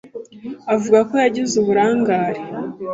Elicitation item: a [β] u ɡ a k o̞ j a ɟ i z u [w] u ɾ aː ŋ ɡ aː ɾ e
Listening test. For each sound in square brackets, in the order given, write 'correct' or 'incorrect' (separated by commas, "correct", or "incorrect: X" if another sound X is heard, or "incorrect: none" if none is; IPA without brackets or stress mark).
incorrect: v, incorrect: β